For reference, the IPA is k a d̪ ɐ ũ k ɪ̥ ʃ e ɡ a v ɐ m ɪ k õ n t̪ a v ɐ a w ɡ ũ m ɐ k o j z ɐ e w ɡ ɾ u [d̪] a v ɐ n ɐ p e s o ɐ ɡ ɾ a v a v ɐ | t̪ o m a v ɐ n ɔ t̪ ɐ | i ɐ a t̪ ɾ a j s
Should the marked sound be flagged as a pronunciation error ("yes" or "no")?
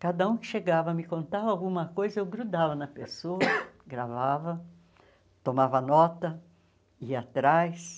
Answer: no